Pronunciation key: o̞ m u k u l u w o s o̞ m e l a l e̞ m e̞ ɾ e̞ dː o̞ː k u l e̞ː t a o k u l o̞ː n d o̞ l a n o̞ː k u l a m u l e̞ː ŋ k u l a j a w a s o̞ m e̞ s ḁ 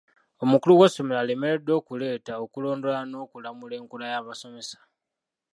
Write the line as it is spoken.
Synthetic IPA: o̞ m u k u l u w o s o̞ m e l a l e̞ m e̞ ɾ e̞ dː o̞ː k u l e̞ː t a o k u l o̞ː n d o̞ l a n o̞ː k u l a m u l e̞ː ŋ k u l a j a β a s o̞ m e̞ s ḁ